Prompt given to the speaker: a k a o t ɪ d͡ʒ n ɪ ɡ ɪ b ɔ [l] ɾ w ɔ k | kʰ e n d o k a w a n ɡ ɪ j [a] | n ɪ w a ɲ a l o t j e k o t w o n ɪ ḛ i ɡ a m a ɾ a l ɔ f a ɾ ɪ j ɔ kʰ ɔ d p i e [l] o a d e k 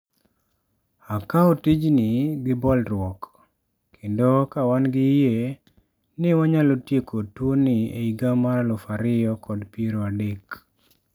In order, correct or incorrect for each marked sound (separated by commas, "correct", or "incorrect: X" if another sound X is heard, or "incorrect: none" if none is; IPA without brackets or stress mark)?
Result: correct, incorrect: e, incorrect: ɾ